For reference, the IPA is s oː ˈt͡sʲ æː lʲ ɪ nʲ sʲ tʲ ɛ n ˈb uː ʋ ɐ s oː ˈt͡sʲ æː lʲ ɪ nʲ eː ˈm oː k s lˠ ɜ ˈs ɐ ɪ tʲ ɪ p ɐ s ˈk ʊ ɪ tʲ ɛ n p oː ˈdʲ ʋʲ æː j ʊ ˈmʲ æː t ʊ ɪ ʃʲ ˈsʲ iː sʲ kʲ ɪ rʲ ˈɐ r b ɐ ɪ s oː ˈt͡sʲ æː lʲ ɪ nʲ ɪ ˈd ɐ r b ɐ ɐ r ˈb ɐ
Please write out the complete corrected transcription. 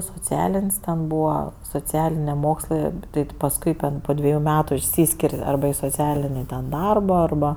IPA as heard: s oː ˈt͡sʲ æː lʲ ɪ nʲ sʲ tʲ ɛ n ˈb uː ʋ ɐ s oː ˈt͡sʲ æː lʲ ɪ nʲ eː ˈm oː k s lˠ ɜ ˈt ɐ ɪ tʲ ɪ p ɐ s ˈk ʊ ɪ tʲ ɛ n p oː ˈdʲ ʋʲ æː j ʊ ˈmʲ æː t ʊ ɪ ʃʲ ˈsʲ iː sʲ kʲ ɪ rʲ ˈɐ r b ɐ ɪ s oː ˈt͡sʲ æː lʲ ɪ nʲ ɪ ˈd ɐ r b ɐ ɐ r ˈb ɐ